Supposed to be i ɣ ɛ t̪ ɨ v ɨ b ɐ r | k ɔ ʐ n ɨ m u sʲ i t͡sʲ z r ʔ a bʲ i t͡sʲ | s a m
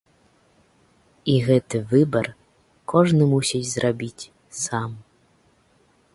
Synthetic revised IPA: i ɣ ɛ t̪ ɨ v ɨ b ɐ r | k ɔ ʐ n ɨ m u sʲ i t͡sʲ z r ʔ a bʲ i t͡sʲ | s a m